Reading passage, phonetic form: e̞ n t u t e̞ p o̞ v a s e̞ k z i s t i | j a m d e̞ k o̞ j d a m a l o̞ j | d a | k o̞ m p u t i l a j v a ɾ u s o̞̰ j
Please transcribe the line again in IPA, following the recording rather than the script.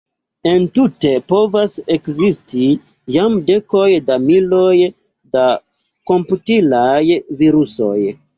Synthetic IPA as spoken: e̞ n t u t e̞ p o̞ v a s e̞ k z i s t i | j a m d e̞ k o̞ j d a m i l o̞ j | d a | k o̞ m p u t i l a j v i ɾ u s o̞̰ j